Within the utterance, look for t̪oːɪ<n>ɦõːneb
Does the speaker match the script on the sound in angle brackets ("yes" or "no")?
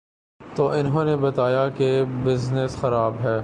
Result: yes